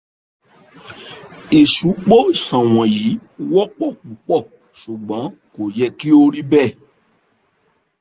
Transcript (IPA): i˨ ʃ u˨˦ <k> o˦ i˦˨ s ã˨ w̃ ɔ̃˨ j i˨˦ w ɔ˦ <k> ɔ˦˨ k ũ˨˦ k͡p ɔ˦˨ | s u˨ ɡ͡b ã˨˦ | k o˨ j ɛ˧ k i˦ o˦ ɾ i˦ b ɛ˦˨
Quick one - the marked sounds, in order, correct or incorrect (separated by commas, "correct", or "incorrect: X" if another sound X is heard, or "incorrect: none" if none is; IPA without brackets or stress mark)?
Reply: incorrect: k͡p, incorrect: k͡p